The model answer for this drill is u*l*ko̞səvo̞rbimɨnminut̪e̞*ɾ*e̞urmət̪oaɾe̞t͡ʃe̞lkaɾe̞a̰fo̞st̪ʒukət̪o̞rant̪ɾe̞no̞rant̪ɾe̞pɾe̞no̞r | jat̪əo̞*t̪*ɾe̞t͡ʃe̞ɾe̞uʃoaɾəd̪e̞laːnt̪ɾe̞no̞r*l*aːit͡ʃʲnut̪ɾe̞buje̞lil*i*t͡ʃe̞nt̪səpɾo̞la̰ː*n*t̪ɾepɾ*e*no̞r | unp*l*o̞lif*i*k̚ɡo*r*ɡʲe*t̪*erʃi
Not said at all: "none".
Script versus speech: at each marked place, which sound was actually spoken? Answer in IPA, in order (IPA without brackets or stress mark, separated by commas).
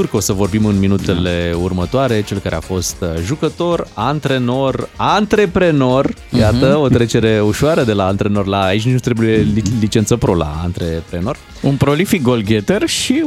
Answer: r, l, t̪, l, i, n, e, ɾ, i, l, t̪